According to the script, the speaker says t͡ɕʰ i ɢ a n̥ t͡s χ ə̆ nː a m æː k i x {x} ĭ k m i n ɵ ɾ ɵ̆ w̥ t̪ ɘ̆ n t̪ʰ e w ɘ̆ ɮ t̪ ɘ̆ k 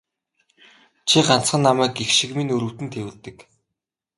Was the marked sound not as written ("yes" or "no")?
yes